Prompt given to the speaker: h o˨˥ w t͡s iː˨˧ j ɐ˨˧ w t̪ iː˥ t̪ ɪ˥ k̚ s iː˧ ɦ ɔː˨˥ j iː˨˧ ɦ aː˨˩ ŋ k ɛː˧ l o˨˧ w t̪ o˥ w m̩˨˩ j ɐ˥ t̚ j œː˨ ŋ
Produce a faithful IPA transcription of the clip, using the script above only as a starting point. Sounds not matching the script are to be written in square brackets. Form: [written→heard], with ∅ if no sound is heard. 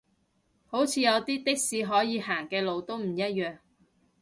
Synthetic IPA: h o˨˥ w [t͡s→t͡sʰ] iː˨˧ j ɐ˨˧ w t̪ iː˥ t̪ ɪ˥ k̚ s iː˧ ɦ ɔː˨˥ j iː˨˧ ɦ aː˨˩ ŋ k ɛː˧ l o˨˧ w t̪ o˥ w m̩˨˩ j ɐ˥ t̚ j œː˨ ŋ